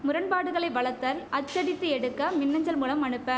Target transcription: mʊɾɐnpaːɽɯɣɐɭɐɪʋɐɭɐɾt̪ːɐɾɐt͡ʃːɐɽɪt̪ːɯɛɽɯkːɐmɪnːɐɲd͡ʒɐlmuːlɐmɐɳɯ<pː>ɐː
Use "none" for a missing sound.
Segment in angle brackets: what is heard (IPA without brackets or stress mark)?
pː